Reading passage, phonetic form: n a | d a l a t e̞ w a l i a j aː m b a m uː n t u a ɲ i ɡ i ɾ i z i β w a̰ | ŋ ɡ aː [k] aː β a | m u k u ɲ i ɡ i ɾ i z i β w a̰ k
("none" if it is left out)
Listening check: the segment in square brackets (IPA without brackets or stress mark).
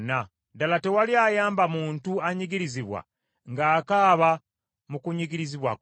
k